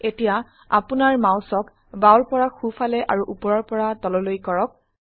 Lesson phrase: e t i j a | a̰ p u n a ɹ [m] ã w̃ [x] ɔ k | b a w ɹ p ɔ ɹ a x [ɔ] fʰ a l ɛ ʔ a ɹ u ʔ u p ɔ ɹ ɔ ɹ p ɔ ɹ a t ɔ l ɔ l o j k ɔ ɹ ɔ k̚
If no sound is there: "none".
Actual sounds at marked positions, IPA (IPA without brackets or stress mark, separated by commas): m, s, u